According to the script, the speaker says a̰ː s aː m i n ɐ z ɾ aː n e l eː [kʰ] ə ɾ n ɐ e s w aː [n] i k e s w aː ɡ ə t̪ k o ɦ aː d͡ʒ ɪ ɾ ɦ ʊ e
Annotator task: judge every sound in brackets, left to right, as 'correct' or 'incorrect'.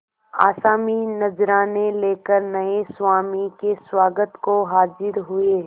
incorrect, incorrect

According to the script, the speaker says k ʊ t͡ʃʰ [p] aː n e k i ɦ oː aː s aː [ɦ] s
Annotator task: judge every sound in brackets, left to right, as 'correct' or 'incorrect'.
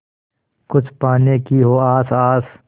correct, incorrect

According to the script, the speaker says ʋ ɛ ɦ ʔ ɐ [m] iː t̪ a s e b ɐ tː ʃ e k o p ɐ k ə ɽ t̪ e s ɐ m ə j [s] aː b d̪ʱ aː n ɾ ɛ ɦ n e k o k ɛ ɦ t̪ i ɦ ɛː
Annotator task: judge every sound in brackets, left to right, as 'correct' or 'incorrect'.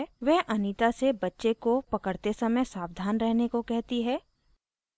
incorrect, correct

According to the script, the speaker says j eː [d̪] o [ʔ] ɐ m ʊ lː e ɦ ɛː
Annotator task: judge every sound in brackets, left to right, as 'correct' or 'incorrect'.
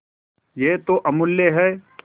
incorrect, correct

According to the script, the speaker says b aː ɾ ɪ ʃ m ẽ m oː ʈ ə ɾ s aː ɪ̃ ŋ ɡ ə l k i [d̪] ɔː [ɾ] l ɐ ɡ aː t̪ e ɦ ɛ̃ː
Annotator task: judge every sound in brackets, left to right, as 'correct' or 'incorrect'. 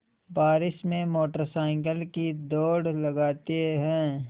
correct, incorrect

